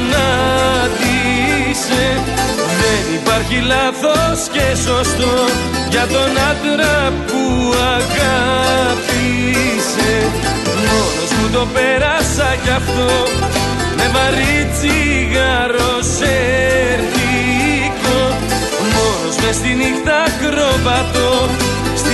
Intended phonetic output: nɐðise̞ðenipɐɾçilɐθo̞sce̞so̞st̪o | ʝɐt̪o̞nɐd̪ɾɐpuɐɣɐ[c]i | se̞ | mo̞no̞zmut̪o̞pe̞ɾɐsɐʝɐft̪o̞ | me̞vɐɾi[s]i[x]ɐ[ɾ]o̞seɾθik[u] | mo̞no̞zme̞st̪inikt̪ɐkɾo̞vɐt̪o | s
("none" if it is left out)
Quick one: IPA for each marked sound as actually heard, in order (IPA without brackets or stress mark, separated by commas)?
p, t͡s, ɣ, ɾ, o